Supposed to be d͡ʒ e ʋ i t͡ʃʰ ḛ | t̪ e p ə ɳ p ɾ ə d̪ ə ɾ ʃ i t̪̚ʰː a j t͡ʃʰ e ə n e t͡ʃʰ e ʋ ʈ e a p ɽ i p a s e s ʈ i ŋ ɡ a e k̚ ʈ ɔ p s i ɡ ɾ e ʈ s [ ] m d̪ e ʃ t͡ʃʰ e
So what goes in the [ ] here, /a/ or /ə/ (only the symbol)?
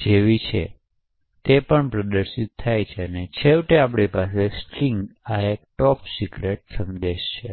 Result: ə